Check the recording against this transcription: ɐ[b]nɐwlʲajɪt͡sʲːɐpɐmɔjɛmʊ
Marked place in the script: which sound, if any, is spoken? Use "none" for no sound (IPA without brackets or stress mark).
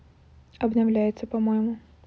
b